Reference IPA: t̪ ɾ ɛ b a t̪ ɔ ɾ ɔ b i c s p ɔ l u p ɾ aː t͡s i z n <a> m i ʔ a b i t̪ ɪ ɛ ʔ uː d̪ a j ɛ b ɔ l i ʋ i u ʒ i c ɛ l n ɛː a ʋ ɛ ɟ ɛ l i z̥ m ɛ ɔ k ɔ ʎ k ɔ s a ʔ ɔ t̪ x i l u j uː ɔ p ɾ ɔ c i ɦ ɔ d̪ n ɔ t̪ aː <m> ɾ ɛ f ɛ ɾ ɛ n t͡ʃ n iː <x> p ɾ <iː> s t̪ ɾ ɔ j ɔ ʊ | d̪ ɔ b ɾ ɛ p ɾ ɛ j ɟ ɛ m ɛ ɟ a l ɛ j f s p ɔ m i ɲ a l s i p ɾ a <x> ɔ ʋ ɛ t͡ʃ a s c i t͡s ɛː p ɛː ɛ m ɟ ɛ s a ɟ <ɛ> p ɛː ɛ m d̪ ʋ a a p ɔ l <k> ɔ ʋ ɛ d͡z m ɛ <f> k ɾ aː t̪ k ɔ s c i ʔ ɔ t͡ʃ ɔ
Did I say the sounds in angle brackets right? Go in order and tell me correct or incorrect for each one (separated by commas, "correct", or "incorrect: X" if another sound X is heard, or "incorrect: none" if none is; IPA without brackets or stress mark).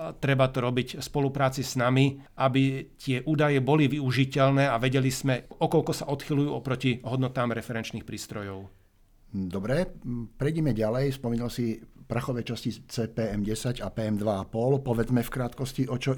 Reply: correct, correct, correct, correct, correct, incorrect: a, incorrect: p, correct